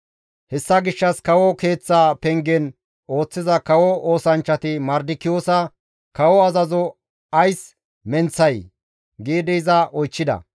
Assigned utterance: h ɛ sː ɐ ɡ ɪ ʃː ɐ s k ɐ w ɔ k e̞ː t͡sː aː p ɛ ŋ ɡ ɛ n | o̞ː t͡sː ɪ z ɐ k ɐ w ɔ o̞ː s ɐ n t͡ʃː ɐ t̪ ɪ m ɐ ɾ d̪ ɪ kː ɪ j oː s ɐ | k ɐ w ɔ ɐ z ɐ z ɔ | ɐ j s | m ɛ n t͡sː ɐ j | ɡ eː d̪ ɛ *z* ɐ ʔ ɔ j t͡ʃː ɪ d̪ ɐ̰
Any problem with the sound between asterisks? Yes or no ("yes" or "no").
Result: no